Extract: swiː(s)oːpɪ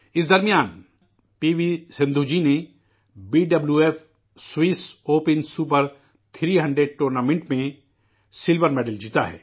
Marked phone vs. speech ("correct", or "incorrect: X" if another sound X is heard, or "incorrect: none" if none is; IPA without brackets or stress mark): correct